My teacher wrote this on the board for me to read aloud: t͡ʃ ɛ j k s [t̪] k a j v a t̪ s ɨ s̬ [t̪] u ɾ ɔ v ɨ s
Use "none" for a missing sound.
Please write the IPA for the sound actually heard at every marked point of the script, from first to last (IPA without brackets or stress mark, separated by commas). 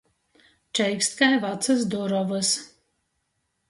t̪, d̪